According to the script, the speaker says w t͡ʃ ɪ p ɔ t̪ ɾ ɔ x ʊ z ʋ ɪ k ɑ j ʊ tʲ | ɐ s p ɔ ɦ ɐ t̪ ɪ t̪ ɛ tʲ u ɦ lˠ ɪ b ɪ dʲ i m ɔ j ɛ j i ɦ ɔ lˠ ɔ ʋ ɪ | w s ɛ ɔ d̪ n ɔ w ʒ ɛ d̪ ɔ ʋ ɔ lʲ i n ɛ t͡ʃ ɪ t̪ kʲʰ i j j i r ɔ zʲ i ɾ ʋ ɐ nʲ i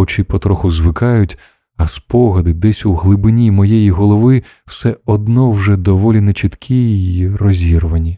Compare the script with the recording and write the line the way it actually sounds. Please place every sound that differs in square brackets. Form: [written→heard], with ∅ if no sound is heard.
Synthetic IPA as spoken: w t͡ʃ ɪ p ɔ t̪ ɾ ɔ x ʊ z ʋ ɪ k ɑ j ʊ tʲ | ɐ s p ɔ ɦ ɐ [t̪→d̪] ɪ [t̪→d̪] ɛ [tʲ→sʲ] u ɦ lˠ ɪ b ɪ [dʲ→nʲ] i m ɔ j ɛ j i ɦ ɔ lˠ ɔ ʋ ɪ | w s ɛ ɔ d̪ n ɔ w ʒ ɛ d̪ ɔ ʋ ɔ lʲ i n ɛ t͡ʃ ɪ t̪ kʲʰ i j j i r ɔ zʲ i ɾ ʋ ɐ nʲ i